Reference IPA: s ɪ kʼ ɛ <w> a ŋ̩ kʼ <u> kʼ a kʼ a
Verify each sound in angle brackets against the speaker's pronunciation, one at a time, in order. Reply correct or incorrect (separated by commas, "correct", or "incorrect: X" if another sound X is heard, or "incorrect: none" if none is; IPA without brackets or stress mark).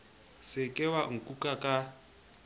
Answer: correct, correct